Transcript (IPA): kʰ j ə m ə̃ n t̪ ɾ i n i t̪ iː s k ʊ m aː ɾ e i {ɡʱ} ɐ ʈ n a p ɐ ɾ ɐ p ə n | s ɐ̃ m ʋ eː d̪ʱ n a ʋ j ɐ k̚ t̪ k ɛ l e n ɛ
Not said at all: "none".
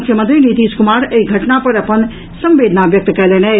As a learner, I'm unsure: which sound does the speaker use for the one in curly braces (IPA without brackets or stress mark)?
ɡʱ